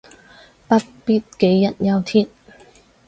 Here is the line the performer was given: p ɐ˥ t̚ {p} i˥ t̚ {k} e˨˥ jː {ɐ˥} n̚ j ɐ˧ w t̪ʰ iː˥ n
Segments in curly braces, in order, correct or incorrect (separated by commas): correct, correct, incorrect